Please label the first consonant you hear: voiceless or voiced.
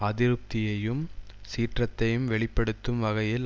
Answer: voiced